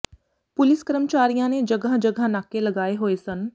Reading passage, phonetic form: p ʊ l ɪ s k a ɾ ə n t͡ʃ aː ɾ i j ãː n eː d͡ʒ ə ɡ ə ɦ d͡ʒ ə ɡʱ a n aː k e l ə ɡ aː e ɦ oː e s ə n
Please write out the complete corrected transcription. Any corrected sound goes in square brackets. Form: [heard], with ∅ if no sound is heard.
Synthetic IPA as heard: p ʊ l ɪ s k [ə] ɾ ə [m] t͡ʃ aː ɾ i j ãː n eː d͡ʒ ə ɡ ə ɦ d͡ʒ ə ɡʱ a n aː k e l ə ɡ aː e ɦ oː e s ə n